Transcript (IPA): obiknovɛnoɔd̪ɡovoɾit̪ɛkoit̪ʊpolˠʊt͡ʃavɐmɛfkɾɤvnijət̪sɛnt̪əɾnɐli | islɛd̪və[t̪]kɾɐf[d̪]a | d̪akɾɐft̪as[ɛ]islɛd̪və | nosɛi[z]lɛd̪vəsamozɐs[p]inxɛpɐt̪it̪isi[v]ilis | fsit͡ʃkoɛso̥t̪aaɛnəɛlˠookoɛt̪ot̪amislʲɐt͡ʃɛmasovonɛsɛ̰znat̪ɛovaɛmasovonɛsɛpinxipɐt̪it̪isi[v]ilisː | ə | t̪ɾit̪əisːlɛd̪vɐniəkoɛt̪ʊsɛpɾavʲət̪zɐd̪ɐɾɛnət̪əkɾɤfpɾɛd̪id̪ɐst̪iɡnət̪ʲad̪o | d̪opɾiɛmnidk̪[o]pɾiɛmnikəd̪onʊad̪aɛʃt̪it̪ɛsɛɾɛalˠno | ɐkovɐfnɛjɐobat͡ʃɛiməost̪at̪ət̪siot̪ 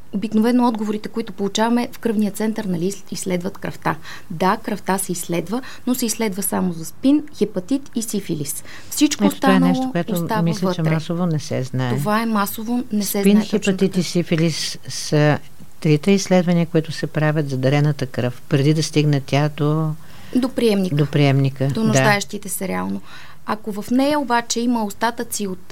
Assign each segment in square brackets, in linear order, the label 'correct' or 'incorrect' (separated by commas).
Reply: correct, incorrect, correct, incorrect, correct, incorrect, incorrect, correct